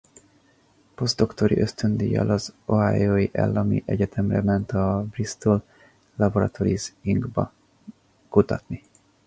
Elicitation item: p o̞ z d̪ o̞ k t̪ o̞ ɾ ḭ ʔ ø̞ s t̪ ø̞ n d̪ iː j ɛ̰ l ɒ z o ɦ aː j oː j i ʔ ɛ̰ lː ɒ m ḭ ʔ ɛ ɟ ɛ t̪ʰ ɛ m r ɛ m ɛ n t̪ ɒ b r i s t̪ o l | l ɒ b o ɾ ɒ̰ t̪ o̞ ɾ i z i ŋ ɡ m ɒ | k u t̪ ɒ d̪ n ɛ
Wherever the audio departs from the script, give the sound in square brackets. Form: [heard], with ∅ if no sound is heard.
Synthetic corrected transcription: p o̞ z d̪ o̞ k t̪ o̞ ɾ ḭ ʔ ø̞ s t̪ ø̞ n d̪ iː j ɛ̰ l ɒ z o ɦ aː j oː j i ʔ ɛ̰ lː ɒ m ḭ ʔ ɛ ɟ ɛ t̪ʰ ɛ m r ɛ m ɛ n t̪ ɒ b r i s t̪ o l | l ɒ b o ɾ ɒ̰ t̪ o̞ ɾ i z i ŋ ɡ [b] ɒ | k u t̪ ɒ [t̪] n [i]